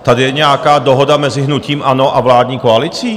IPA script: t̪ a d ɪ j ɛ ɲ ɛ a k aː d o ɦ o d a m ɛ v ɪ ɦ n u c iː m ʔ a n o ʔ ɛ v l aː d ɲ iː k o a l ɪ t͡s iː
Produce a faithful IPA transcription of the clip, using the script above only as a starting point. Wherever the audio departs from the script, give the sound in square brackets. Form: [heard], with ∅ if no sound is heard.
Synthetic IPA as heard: t̪ a d ɪ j ɛ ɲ ɛ a k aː d o ɦ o d a m ɛ [z] ɪ ɦ n u c iː m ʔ a n o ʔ [a] v l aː d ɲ iː k o a l ɪ t͡s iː